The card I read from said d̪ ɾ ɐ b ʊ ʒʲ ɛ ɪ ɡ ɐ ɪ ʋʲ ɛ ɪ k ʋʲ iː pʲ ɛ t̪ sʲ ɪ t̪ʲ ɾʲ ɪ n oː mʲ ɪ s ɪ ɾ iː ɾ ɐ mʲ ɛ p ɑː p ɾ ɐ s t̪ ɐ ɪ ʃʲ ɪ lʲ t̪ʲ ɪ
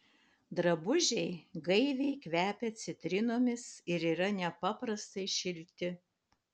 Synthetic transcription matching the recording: d̪ ɾ ɐ b ʊ ʒʲ ɛ ɪ ɡ ɐ ɪ ʋʲ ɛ ɪ k ʋʲ æː pʲ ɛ t̪ sʲ ɪ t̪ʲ ɾʲ ɪ n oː mʲ ɪ s ɪ ɾ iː ɾ ɐ nʲ ɛ p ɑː p ɾ ɐ s t̪ ɐ ɪ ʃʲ ɪ lʲ t̪ʲ ɪ